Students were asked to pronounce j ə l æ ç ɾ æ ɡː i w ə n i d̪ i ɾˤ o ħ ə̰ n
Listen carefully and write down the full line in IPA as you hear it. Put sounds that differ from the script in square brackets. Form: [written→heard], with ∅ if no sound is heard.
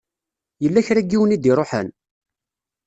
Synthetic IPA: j ə [l→lː] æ ç ɾ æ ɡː i w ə n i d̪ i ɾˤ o ħ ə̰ n